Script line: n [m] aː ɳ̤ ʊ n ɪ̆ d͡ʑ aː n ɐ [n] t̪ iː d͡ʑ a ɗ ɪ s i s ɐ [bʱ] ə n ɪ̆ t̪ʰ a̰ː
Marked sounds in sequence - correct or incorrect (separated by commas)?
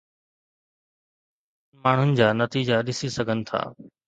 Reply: correct, incorrect, incorrect